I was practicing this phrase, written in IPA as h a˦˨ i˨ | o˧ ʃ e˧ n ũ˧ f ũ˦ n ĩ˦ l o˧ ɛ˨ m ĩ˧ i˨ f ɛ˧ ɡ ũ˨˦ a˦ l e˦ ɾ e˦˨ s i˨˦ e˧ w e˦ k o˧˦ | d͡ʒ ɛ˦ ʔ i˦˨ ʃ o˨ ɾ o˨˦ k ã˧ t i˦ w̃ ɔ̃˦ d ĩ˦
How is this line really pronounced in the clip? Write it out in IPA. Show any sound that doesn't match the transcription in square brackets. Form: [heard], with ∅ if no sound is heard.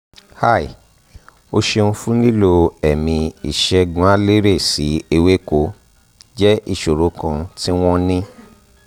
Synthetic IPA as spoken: h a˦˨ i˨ | o˧ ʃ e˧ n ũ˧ f ũ˦ n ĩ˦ l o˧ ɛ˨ m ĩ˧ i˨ [ʃ] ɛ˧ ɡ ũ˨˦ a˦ l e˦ ɾ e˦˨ s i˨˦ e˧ w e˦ k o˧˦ | d͡ʒ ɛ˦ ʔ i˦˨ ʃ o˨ ɾ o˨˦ k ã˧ t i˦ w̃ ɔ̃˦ [n] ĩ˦

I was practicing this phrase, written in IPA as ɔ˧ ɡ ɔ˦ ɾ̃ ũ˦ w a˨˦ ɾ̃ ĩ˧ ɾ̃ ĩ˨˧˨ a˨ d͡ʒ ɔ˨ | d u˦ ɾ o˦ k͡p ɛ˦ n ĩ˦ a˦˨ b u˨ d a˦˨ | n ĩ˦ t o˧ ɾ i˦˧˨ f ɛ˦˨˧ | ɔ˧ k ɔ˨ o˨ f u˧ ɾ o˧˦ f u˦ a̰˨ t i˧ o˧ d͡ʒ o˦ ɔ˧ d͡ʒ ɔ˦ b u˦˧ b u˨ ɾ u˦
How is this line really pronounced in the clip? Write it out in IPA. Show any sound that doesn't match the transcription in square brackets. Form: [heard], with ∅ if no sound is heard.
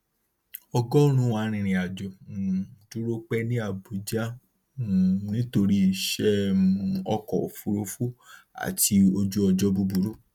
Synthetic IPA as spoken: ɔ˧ ɡ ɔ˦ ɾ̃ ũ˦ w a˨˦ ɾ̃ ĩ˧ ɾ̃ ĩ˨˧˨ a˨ d͡ʒ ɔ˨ | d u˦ ɾ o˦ k͡p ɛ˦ n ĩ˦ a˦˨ b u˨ [d͡ʒ] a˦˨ | n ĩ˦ t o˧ ɾ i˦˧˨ [ʃ] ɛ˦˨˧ | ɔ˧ k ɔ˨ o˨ f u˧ ɾ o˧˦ f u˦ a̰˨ t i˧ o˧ d͡ʒ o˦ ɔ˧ d͡ʒ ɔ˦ b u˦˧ b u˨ ɾ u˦

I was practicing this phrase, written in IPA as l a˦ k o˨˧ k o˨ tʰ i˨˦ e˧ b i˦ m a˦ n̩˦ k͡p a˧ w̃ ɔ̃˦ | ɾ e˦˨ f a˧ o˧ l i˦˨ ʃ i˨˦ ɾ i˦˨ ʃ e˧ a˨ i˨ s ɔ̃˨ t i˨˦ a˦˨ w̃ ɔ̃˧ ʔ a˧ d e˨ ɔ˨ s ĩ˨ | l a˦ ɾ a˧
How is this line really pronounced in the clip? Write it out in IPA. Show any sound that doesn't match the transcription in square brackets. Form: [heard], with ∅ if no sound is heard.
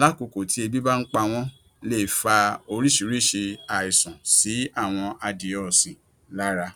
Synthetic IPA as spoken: l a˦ k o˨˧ k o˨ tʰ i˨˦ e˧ b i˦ [b] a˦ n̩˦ k͡p a˧ w̃ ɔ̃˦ | [l] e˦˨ f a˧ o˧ [ɾ] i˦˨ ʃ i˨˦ ɾ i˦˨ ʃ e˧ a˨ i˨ s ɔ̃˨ [s] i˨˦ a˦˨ w̃ ɔ̃˧ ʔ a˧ d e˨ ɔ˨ s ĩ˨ | l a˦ ɾ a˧

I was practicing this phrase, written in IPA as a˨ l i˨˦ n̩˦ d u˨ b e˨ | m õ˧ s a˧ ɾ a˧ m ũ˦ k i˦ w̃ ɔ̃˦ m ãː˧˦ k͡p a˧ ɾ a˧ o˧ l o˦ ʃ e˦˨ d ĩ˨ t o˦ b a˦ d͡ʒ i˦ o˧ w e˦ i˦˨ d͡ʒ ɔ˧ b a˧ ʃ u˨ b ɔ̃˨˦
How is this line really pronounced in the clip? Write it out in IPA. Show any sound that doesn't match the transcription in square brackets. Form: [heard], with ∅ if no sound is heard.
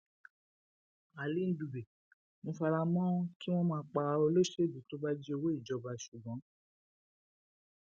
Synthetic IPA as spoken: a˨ l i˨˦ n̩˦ d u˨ b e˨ | m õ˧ [f] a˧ ɾ a˧ m [ɔ̃˦] k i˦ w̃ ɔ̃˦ m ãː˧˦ k͡p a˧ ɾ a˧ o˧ l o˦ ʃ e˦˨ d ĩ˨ t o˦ b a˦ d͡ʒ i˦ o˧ w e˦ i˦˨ d͡ʒ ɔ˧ b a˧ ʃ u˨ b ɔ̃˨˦

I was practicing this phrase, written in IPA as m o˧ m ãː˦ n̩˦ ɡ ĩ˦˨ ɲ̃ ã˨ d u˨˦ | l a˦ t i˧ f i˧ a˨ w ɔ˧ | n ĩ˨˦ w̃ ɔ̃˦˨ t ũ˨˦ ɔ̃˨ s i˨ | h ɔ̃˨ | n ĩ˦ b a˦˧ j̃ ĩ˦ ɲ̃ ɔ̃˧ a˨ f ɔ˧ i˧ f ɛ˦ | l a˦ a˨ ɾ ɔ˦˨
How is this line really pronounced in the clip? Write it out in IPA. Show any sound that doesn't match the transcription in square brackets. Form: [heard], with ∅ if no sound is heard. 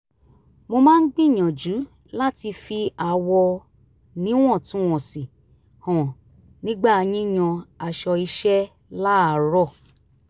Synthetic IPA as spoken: m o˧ m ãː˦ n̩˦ [ɡ͡b] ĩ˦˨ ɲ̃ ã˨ [d͡ʒ] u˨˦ | l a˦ t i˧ f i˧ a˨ w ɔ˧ | n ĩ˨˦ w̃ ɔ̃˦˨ t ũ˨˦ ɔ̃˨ s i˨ | h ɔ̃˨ | n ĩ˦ [ɡ͡b] a˦˧ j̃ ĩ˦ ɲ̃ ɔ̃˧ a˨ [ʃ] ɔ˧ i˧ [ʃ] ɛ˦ | l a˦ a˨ ɾ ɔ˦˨

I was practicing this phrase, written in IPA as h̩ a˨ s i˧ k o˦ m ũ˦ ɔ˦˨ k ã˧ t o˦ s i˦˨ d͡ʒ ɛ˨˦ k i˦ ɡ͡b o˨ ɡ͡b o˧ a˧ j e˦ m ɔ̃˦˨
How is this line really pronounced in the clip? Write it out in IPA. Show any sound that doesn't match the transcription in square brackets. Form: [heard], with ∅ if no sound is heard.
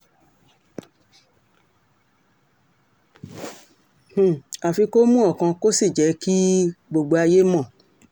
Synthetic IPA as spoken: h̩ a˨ [f] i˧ k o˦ m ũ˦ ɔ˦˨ k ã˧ [k] o˦ s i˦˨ d͡ʒ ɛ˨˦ k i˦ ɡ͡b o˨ ɡ͡b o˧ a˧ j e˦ m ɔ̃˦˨

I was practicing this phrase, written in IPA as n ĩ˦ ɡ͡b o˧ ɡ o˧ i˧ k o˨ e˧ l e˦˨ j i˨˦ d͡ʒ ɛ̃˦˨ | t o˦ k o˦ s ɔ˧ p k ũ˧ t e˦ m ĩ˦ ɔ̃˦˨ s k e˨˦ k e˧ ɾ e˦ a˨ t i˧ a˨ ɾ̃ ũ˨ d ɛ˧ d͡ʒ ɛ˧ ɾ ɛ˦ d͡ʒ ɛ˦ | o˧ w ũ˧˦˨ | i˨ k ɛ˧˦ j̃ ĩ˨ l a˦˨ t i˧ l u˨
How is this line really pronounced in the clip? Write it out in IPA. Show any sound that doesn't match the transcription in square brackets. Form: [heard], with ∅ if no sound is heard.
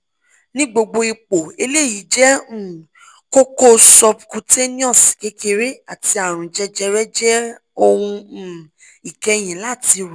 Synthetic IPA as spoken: n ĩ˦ ɡ͡b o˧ [ɡ͡b] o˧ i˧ [k͡p] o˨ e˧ l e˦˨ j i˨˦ d͡ʒ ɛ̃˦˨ | [k] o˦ k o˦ s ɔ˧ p k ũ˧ t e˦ [n] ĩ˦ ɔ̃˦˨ s k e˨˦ k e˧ ɾ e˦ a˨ t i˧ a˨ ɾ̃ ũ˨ [d͡ʒ] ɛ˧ d͡ʒ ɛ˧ ɾ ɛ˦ d͡ʒ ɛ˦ | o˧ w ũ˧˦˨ | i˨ k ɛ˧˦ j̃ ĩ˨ l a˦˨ t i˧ [ɾ] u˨

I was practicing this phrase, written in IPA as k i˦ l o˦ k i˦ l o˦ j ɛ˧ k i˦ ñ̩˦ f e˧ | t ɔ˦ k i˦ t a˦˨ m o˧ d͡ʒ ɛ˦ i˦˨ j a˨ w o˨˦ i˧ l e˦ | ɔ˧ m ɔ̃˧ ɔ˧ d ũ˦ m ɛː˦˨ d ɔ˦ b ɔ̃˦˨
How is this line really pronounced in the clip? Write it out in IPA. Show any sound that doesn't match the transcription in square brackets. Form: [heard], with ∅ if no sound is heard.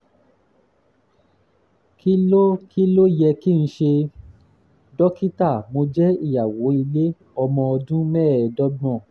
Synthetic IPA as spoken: k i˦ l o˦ k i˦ l o˦ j ɛ˧ k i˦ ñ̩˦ [ʃ] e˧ | [d] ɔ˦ k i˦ t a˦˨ m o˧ d͡ʒ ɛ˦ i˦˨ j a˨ w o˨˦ i˧ l e˦ | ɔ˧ m ɔ̃˧ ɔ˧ d ũ˦ m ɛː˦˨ d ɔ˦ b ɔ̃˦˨

